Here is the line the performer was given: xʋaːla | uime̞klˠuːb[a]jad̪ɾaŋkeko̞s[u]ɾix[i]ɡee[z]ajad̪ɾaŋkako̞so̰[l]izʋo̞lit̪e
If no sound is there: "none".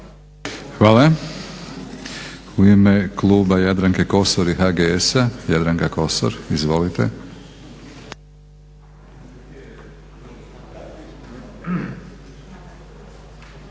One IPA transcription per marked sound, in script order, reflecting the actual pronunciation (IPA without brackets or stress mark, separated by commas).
a, o, a, s, ɾ